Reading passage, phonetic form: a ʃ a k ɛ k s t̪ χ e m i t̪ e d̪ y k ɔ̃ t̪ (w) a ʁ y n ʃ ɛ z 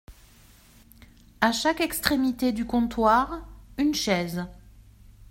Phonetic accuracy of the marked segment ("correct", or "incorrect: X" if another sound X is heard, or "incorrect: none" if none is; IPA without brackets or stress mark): correct